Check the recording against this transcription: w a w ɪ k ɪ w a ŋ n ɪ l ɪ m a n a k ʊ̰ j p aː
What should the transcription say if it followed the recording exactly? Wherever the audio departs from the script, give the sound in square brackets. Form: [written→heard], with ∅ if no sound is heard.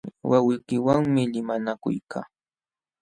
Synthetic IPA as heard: w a w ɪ k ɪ w a ŋ [n→m] ɪ l ɪ m a n a k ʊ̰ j [p→k] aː